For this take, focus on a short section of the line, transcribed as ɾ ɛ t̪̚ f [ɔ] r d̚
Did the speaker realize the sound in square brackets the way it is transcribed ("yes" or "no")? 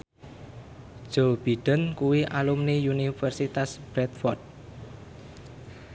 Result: yes